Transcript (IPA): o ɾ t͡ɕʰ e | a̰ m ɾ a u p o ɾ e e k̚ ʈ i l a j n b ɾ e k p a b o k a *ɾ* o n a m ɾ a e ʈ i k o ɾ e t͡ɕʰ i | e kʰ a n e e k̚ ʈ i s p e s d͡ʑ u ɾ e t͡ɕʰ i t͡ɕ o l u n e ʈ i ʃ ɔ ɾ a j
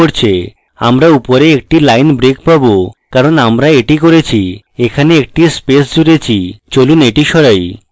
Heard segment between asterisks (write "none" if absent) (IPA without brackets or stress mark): ɾ